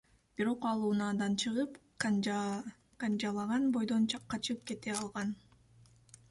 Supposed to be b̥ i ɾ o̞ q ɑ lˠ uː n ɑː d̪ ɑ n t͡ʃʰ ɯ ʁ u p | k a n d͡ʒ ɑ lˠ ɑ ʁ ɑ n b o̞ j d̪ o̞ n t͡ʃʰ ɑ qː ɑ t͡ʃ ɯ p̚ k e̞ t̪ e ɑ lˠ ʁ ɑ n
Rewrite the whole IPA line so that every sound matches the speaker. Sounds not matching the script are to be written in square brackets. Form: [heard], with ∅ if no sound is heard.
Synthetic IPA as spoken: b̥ i ɾ o̞ q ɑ lˠ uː n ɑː d̪ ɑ n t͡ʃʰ ɯ ʁ [ɯ] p | k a n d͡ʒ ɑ lˠ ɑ ʁ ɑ n b o̞ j d̪ o̞ n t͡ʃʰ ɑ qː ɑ t͡ʃ ɯ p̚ k e̞ t̪ e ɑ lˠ ʁ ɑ n